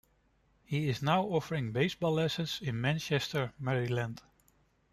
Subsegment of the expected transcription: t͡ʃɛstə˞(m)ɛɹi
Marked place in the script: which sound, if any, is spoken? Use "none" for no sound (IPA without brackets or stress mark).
m